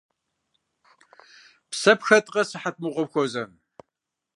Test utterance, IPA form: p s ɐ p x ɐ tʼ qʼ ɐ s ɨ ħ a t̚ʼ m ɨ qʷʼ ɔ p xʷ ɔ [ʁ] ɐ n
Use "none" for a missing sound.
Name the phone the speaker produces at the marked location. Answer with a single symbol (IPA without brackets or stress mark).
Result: z